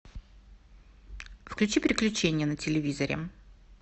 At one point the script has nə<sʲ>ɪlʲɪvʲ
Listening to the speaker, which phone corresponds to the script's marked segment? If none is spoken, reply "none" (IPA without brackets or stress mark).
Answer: tʲ